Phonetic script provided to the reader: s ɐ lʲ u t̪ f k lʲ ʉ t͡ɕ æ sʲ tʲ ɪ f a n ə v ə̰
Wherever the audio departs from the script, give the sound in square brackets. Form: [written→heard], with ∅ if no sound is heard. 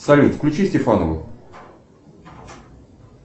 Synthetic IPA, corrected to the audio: s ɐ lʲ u t̪ f k lʲ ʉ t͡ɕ [æ→i] sʲ tʲ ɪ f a n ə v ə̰